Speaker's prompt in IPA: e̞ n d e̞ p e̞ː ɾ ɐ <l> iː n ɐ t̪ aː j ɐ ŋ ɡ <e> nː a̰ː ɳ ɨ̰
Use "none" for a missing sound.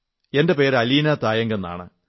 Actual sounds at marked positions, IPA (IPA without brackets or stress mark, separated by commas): l, e